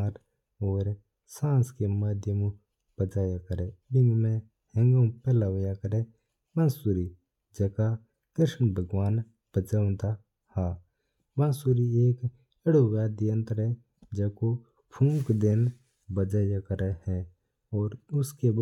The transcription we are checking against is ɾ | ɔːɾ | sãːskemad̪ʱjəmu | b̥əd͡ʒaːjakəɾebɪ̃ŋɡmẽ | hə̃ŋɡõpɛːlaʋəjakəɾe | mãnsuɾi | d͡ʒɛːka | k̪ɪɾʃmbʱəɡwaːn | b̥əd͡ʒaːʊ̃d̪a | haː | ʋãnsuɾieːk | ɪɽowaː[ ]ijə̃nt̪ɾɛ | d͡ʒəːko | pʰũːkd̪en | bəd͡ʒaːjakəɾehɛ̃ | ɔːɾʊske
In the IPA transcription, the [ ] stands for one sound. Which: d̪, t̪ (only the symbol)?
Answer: d̪